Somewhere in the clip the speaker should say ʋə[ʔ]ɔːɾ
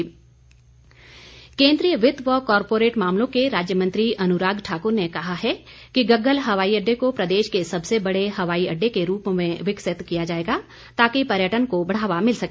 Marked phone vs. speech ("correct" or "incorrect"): incorrect